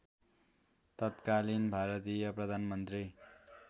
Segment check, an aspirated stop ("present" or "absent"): absent